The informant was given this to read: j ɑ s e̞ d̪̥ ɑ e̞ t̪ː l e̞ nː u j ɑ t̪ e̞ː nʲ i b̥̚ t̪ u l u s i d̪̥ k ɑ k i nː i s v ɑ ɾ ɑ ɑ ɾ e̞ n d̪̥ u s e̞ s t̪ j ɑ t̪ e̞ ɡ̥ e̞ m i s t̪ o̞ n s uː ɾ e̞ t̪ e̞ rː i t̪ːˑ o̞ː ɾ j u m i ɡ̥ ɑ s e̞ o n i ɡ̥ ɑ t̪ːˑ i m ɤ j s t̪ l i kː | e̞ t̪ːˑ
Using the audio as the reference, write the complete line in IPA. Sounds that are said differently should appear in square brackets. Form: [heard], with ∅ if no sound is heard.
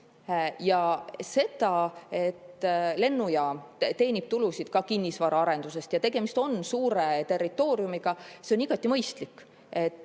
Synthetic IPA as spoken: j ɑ s e̞ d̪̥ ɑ e̞ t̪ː l e̞ nː u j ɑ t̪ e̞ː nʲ i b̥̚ t̪ u l u s i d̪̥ k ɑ k i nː i s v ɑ ɾ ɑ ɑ ɾ e̞ n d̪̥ u s e̞ s t̪ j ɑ t̪ e̞ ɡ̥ e̞ m i s t̪ o̞ n s uː ɾ e̞ t̪ e̞ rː i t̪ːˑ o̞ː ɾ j u m i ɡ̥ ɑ s e̞ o n i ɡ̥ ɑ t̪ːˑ i m ɤ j s t̪ l i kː | e̞ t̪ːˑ

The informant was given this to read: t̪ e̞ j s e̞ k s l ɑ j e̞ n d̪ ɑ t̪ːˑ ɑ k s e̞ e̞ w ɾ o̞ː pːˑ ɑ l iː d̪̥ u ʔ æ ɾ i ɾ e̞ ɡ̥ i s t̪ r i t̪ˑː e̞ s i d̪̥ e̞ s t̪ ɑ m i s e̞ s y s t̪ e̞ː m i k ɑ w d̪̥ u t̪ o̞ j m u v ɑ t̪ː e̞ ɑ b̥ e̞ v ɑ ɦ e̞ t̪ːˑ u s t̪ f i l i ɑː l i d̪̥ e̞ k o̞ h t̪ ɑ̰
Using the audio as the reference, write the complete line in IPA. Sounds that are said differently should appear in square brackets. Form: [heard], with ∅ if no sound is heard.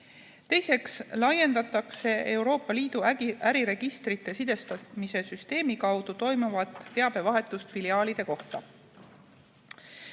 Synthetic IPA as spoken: t̪ e̞ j s e̞ k s l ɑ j e̞ n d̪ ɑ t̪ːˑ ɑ k s e̞ e̞ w ɾ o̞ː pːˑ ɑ l iː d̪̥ u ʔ æ ɾ i ɾ e̞ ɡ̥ i s t̪ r i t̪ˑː e̞ s i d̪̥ e̞ s t̪ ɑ m i s e̞ s y s t̪ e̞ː m i k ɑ w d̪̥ u t̪ o̞ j m u v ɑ t̪ː e̞ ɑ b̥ e̞ v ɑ ɦ e̞ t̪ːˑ u s t̪ f i l i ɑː l i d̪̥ e̞ k o̞ h t̪ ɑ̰

